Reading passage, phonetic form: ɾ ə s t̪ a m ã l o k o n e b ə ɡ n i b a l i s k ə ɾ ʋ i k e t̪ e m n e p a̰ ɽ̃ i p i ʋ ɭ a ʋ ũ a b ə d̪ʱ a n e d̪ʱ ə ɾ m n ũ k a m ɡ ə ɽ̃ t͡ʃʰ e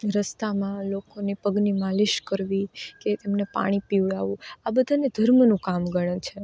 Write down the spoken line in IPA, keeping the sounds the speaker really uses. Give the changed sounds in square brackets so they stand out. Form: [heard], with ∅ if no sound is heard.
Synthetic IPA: ɾ ə s t̪ a m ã l o k o n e [p] ə ɡ n i [m] a l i [ʃ] k ə ɾ ʋ i k e t̪ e m n e p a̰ ɽ̃ i p i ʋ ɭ a ʋ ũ a b ə d̪ʱ a n e d̪ʱ ə ɾ m n ũ k a m ɡ ə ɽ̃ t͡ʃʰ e